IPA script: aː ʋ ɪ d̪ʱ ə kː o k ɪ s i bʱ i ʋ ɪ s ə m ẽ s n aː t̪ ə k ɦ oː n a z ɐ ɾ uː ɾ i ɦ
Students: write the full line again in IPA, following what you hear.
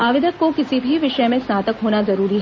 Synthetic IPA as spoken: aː ʋ ɪ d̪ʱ ə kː o k ɪ s i bʱ i ʋ ɪ ʃ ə m ẽ s n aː t̪ ə k ɦ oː n a z ɐ ɾ uː ɾ i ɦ